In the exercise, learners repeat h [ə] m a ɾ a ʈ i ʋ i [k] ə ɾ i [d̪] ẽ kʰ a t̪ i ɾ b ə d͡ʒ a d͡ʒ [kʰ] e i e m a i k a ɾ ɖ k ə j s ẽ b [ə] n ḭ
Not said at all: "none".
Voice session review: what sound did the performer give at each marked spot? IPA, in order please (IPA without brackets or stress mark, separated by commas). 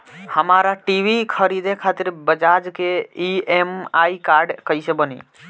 ə, kʰ, d̪, k, ə